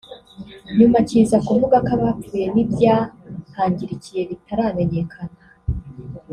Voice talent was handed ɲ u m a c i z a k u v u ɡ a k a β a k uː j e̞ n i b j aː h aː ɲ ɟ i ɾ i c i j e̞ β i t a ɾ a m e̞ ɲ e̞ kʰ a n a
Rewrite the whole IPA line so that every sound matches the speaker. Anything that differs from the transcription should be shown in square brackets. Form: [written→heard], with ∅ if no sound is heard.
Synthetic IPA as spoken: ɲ u m a c i z a k u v u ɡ a k a β a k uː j e̞ n i b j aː h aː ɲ ɟ i ɾ i c i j e̞ β i t a ɾ a m e̞ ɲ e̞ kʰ a n a